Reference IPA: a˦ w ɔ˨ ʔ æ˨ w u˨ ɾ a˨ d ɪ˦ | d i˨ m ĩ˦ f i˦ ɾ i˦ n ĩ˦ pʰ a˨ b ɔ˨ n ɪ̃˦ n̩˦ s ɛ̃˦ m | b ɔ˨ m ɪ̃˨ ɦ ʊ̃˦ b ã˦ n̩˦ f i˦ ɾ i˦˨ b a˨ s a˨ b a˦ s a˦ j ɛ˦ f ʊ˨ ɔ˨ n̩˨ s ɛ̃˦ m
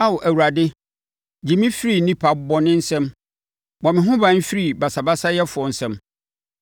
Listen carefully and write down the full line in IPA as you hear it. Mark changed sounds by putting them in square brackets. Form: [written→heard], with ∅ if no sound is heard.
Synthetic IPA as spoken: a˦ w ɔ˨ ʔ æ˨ w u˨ ɾ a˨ d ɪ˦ | [d→d͡ʑ] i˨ m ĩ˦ f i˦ ɾ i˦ n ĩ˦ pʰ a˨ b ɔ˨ n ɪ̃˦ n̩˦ s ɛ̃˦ m | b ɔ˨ m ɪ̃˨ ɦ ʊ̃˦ b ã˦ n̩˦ f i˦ ɾ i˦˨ b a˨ s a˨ b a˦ s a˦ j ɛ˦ f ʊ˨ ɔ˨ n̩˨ s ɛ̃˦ m

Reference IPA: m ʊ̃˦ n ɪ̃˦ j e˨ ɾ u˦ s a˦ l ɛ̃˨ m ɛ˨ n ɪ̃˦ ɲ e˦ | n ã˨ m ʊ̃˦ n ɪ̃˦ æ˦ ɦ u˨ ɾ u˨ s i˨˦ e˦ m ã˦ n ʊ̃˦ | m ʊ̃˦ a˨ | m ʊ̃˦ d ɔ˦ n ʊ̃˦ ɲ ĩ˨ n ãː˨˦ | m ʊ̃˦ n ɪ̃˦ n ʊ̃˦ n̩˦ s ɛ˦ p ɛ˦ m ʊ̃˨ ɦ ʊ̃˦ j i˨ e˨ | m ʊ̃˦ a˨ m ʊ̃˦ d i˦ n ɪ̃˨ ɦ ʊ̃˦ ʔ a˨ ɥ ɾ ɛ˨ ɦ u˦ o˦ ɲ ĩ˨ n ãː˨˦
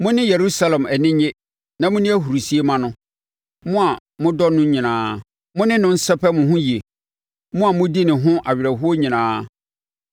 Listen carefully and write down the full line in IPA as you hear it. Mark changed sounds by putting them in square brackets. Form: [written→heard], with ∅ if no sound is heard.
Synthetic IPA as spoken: m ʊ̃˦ n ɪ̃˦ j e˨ ɾ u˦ s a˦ l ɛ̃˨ m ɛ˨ n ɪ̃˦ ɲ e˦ | n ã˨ m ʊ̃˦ n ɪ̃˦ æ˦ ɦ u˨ ɾ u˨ s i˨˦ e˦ m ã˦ n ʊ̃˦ | m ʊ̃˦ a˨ | m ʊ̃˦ d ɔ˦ n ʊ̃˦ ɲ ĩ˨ n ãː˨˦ | m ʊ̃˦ n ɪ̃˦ n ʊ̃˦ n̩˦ s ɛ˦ p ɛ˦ m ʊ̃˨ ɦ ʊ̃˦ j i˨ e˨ | m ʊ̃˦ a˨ m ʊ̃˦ d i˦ n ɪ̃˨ ɦ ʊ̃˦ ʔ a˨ ɥ ɾ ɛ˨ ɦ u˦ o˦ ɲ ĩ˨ n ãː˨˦

